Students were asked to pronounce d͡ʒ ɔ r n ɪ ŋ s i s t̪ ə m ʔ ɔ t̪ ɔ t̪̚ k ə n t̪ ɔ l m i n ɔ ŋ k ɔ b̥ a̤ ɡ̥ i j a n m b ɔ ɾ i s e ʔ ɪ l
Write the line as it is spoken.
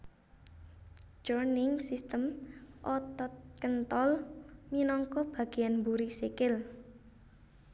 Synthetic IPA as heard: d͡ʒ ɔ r n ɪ ŋ s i s t̪ ə m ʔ ɔ t̪ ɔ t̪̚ k ə n t̪ ɔ l m i n ɔ ŋ k ɔ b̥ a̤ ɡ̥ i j a n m b u ɾ i s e k ɪ l